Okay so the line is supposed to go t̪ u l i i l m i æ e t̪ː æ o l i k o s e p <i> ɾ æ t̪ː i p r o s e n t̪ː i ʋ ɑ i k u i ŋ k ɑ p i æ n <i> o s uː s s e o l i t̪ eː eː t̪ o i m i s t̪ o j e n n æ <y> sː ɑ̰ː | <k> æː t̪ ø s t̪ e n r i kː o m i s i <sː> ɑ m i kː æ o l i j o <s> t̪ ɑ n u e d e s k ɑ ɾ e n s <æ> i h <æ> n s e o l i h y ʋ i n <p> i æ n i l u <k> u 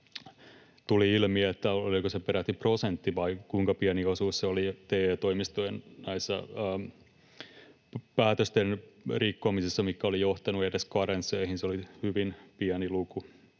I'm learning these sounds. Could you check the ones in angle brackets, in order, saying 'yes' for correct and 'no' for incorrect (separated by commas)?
no, yes, no, no, yes, no, no, no, yes, yes